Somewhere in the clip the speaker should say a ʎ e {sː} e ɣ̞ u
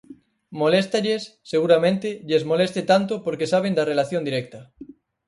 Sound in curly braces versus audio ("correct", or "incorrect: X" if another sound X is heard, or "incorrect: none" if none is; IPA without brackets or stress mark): correct